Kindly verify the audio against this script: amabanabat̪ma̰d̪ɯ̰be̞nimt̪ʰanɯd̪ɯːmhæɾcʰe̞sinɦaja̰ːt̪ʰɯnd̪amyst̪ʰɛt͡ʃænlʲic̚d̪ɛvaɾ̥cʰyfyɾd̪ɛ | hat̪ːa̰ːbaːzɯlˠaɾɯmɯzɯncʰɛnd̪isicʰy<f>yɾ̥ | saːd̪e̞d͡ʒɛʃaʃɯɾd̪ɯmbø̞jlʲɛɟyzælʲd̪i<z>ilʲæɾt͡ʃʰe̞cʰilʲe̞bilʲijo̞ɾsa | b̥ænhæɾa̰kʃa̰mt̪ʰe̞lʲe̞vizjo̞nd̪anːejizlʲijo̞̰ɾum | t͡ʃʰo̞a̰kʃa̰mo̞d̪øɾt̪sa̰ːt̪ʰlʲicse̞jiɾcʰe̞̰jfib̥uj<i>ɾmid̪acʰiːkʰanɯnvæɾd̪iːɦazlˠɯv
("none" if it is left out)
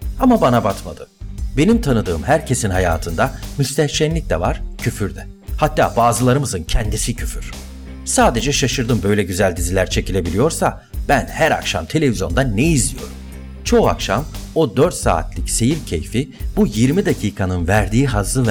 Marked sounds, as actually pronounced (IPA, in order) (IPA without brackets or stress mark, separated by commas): f, z, i